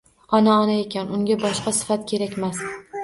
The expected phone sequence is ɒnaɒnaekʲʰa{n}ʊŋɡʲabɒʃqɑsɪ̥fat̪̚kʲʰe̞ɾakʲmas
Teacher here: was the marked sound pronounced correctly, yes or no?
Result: yes